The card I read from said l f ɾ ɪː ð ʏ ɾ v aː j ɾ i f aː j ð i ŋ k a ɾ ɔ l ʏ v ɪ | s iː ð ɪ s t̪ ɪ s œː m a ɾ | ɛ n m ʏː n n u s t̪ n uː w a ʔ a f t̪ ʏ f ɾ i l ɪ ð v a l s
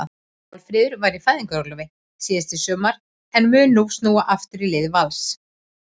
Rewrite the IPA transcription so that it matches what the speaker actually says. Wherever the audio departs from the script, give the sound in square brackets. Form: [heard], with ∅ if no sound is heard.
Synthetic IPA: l f ɾ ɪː ð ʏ ɾ v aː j ɾ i f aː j ð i ŋ k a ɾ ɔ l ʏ v ɪ | s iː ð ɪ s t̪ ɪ s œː m a ɾ | ɛ n m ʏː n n u s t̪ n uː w a ʔ a f t̪ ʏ [∅] ɾ i l ɪ ð v a l s